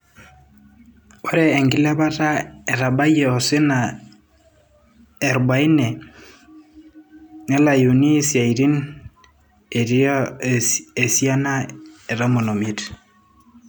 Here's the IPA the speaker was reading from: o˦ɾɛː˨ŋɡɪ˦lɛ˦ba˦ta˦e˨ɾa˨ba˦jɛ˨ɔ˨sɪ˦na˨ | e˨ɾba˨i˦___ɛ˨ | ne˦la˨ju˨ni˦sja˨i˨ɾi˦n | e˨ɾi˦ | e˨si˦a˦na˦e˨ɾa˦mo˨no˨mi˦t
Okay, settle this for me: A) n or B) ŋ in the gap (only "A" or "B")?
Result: A